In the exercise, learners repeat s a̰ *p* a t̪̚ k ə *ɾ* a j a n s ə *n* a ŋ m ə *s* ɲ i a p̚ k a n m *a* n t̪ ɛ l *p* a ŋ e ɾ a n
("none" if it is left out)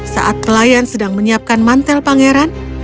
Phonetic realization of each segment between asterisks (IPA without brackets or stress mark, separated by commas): ʔ, l, d, none, a, p